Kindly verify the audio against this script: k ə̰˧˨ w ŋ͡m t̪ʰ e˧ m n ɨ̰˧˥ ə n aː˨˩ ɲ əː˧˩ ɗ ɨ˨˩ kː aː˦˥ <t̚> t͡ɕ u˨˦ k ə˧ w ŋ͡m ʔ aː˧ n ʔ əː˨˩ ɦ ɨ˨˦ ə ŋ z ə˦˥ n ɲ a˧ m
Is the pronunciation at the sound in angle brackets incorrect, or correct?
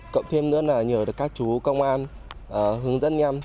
incorrect